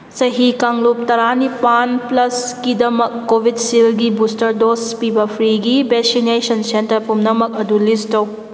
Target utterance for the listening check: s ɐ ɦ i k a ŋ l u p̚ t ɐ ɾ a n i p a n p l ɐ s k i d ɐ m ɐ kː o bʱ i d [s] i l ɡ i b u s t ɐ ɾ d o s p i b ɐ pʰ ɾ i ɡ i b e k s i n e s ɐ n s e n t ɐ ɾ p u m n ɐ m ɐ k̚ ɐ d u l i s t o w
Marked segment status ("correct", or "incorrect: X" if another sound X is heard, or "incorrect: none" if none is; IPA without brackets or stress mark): correct